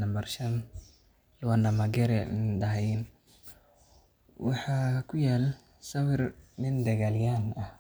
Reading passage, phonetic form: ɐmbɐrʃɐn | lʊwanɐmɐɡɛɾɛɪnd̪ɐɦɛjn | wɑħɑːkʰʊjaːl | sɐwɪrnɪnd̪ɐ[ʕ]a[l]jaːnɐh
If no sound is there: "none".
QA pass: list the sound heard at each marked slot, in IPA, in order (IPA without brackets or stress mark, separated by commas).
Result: ɣ, l